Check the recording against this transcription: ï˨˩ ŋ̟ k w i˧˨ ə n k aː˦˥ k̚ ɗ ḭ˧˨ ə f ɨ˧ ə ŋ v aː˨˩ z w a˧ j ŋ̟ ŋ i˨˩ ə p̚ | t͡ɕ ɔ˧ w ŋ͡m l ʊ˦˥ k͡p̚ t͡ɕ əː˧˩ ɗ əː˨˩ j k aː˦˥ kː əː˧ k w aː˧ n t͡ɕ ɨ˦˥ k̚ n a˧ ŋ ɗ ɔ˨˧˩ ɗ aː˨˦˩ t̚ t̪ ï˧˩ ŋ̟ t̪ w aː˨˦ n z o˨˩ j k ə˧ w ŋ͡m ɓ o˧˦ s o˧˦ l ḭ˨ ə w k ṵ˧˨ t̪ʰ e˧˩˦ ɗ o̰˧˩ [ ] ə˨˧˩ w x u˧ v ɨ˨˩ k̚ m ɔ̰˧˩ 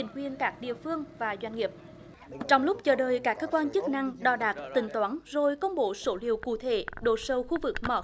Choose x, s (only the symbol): s